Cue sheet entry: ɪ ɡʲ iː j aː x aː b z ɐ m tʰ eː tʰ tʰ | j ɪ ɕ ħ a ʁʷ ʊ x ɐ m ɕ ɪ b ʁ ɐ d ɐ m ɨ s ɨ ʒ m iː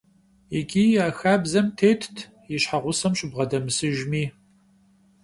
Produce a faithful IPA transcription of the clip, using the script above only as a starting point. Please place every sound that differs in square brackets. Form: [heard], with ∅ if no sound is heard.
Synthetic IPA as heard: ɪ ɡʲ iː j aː x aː b z ɐ m tʰ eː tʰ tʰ | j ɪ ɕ ħ a ʁʷ ʊ [s] ɐ m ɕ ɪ b ʁ ɐ d ɐ m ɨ s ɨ ʒ m iː